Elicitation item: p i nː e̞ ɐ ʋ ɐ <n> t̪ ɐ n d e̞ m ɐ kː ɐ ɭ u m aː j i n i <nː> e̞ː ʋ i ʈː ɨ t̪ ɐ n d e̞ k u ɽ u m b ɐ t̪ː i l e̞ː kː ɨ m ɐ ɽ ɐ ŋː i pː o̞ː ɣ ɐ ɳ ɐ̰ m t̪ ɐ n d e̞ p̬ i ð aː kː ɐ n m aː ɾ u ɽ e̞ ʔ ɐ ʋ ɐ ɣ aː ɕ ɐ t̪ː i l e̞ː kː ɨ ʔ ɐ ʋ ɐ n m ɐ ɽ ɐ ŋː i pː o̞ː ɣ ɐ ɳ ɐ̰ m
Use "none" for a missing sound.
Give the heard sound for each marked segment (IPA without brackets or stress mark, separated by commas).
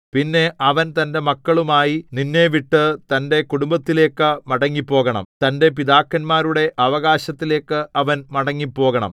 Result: n, nː